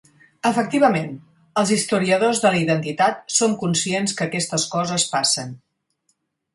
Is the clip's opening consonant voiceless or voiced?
voiceless